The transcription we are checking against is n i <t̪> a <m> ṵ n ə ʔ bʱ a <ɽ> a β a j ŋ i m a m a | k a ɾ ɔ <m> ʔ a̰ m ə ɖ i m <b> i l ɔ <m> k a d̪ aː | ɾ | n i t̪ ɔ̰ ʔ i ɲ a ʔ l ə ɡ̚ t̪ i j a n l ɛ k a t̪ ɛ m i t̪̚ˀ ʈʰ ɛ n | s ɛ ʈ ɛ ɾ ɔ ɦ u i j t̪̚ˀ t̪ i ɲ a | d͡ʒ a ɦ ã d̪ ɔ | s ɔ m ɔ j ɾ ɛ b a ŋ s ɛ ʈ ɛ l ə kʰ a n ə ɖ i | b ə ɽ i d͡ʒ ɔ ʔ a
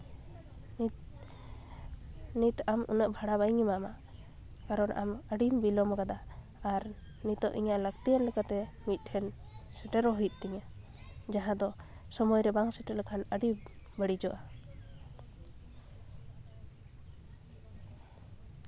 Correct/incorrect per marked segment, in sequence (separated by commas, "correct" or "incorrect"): correct, correct, correct, incorrect, correct, correct